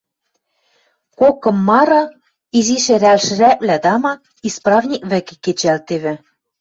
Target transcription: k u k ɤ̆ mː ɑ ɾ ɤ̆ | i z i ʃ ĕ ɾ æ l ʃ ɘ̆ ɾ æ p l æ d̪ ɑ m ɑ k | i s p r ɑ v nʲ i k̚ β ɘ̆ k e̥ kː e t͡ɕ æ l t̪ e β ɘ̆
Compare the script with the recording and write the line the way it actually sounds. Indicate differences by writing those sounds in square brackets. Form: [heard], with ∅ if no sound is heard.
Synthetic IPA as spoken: k [o] k ɤ̆ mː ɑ ɾ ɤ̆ | i z i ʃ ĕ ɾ æ l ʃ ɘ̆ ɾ æ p l æ d̪ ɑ m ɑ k | i s p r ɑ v nʲ i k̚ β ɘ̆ k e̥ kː e t͡ɕ æ l t̪ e β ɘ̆